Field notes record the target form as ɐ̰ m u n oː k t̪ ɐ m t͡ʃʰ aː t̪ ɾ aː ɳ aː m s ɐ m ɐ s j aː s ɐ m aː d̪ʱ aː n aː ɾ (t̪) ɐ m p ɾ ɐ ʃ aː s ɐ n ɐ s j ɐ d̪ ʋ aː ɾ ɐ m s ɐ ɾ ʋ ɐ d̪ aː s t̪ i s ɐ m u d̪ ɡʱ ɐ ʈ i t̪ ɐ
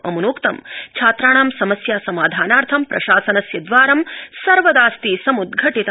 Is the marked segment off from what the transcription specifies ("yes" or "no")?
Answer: yes